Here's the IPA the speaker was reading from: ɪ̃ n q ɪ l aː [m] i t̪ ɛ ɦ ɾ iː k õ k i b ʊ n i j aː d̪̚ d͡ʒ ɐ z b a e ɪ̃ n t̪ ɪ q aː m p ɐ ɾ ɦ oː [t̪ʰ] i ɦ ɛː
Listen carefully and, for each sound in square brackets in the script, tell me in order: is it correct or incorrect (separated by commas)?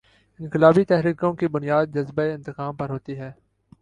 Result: incorrect, incorrect